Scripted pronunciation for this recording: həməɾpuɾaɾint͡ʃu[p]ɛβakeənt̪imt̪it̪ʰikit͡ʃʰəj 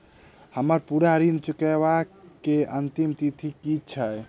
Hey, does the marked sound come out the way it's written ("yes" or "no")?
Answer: no